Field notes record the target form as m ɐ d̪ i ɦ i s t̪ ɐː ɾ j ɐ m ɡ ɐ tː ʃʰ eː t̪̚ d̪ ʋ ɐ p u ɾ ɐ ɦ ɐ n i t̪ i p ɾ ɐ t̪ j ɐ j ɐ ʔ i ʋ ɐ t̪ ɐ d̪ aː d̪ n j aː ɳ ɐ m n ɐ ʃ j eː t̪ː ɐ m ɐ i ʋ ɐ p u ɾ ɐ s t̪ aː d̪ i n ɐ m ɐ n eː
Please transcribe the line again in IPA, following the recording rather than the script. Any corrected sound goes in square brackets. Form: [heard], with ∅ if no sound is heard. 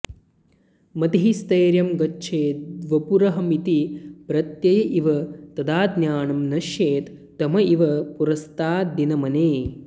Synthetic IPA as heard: m ɐ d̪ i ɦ i s t̪ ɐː ɾ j ɐ m ɡ ɐ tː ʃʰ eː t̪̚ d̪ ʋ ɐ p u ɾ ɐ ɦ ɐ [m] i t̪ i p ɾ ɐ t̪ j ɐ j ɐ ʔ i ʋ ɐ t̪ ɐ d̪ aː d̪ n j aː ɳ ɐ m n ɐ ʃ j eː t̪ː ɐ m ɐ i ʋ ɐ p u ɾ ɐ s t̪ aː d̪ i n ɐ m ɐ n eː